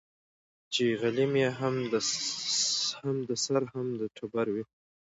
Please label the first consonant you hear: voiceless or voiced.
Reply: voiceless